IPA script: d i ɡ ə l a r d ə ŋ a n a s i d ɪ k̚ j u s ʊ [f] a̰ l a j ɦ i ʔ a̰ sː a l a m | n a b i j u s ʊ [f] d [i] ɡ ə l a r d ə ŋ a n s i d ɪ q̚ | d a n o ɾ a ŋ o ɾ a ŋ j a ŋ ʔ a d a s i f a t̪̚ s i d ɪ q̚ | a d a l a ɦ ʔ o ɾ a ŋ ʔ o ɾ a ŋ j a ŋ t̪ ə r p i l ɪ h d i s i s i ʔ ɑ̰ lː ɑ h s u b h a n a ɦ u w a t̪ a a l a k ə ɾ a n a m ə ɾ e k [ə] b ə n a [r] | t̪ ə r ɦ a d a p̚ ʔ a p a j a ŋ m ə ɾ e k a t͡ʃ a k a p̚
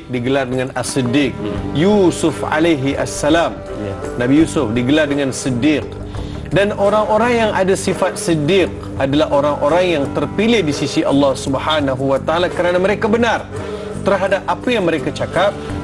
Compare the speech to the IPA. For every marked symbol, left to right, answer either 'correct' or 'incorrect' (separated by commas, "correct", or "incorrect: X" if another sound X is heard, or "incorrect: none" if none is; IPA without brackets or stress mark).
correct, correct, correct, incorrect: a, correct